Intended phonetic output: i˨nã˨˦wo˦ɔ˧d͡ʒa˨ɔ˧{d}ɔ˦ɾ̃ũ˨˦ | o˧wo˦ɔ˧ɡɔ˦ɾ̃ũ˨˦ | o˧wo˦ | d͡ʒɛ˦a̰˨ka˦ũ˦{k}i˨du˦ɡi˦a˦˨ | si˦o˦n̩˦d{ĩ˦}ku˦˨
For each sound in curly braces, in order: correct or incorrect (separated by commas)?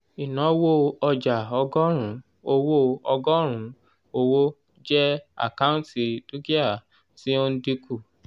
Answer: incorrect, incorrect, incorrect